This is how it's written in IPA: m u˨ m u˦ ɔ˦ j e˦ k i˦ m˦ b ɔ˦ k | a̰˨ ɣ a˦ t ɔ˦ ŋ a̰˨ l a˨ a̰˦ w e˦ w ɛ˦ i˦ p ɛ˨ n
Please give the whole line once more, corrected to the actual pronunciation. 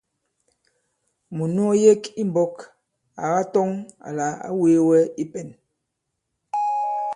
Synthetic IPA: m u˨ n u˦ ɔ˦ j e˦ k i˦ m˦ b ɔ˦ k | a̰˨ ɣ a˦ t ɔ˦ ŋ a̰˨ l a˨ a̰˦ w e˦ w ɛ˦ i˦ p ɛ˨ n